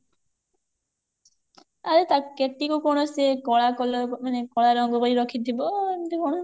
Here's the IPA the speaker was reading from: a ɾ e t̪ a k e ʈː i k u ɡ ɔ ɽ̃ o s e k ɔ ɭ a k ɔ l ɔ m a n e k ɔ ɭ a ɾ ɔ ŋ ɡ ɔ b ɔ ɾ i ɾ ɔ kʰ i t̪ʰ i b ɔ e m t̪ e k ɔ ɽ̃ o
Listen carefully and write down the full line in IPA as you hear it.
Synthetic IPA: a ɾ e t̪ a k e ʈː i k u k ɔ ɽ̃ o s e k ɔ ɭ a k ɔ l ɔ m a n e k ɔ ɭ a ɾ ɔ ŋ ɡ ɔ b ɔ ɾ i ɾ ɔ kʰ i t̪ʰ i b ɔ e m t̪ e k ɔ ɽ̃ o